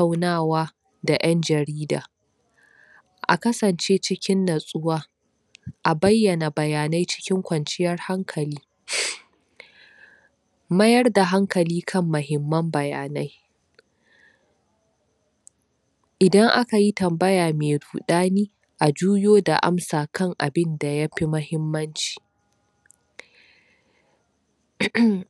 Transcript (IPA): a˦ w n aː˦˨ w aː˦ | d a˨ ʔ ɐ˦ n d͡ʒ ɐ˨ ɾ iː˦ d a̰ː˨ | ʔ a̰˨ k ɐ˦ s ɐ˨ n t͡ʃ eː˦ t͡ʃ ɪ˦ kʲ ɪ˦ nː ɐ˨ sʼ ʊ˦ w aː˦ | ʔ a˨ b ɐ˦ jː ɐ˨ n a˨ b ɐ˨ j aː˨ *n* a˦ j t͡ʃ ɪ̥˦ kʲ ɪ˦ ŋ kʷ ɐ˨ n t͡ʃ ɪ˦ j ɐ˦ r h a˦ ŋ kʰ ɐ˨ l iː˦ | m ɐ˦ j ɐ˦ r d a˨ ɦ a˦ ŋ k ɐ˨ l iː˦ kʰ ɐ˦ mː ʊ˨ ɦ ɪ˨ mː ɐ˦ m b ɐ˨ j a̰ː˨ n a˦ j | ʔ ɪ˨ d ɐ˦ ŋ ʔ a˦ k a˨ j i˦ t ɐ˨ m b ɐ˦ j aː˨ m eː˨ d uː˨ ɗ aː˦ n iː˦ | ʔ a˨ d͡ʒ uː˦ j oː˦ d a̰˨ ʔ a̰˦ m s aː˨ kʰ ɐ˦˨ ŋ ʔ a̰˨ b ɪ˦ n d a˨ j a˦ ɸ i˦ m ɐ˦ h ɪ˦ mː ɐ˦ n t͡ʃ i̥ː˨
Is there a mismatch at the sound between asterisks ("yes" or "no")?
no